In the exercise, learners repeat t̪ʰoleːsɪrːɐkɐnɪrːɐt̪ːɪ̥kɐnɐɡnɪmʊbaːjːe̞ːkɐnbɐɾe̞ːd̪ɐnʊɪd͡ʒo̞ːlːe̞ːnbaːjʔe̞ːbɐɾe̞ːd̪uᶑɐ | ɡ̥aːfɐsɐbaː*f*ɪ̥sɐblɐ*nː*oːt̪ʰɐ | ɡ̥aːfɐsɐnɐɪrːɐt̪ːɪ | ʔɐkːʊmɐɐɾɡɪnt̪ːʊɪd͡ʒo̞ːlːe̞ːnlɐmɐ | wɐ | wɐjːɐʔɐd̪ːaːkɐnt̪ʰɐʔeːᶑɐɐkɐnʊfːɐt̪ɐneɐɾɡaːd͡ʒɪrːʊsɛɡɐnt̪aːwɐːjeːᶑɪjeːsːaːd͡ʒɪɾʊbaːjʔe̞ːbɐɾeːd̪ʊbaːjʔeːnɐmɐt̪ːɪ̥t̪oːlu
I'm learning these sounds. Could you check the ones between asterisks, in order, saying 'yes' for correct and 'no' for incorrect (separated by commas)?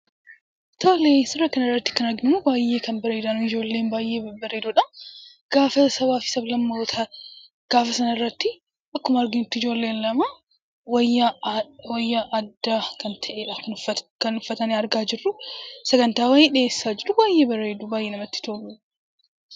yes, no